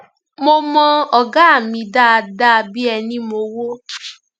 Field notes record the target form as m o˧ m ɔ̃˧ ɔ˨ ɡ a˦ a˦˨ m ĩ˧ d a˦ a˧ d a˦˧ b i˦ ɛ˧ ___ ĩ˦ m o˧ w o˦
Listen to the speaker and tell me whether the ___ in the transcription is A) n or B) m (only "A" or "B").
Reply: A